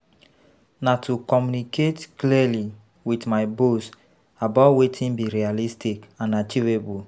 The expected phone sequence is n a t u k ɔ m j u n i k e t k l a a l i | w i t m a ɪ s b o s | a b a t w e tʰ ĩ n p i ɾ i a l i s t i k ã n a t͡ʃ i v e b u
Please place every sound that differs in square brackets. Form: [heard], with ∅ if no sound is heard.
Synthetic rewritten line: n a t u k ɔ m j u n i k e t k l [i] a l i | w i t m a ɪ [∅] b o s | a b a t w e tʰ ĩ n [b] i ɾ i a l i s t i k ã n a t͡ʃ i v e b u

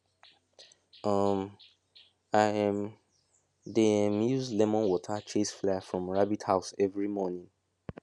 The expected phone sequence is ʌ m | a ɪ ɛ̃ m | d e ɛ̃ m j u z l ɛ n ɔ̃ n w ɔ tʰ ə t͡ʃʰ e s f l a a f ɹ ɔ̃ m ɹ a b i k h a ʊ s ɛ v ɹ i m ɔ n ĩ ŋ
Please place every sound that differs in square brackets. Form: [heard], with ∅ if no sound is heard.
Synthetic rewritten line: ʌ m | a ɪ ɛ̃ m | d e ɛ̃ m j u z l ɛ [m] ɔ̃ n w ɔ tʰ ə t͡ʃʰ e s f l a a f ɹ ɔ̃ m ɹ a b i [t] h a ʊ s ɛ v ɹ i m ɔ n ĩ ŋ

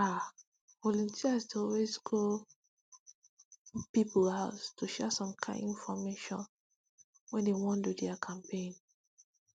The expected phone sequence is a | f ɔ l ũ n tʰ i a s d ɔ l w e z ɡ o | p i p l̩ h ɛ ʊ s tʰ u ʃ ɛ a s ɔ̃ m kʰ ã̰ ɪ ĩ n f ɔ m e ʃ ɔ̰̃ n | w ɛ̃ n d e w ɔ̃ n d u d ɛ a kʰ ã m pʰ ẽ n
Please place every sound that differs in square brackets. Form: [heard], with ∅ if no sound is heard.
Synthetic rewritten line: a | [v] ɔ l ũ n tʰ i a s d ɔ l w e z ɡ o | p i p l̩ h [a] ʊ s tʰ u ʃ ɛ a s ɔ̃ m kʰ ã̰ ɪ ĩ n f ɔ m e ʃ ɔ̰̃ n | w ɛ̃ n d e w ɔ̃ n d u d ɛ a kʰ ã m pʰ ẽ n

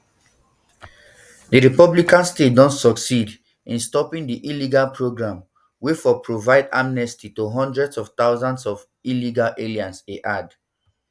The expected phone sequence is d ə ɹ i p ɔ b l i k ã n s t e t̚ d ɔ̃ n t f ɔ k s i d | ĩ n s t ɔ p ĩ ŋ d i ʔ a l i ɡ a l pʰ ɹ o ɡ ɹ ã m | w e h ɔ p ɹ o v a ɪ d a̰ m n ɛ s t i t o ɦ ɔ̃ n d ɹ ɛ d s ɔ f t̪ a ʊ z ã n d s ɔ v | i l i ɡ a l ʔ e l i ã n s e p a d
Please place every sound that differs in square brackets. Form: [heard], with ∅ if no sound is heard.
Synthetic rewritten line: d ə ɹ i p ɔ b l i k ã n s t e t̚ d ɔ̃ n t [s] ɔ k s i d | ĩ n s t ɔ p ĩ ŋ d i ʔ [i] l i ɡ a l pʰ ɹ o ɡ ɹ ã m | w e [f] ɔ p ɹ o v a ɪ d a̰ m n ɛ s t i t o ɦ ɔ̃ n d ɹ ɛ d s ɔ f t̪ a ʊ z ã n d s ɔ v | i l i ɡ a l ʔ e l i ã n s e [ʔ] a d

